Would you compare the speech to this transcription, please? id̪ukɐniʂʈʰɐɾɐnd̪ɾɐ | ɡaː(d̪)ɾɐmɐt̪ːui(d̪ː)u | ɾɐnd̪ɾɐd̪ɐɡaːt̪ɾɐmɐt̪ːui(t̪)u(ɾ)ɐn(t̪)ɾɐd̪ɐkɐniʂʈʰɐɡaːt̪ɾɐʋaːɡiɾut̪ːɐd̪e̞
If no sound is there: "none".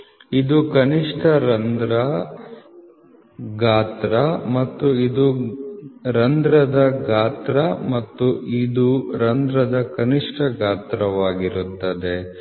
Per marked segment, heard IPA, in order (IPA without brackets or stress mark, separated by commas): t̪, d̪, d̪, ɾ, d̪